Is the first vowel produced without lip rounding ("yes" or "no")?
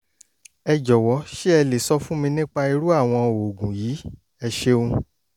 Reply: yes